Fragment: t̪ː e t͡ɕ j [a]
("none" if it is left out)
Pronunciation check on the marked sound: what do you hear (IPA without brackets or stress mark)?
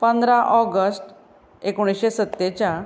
a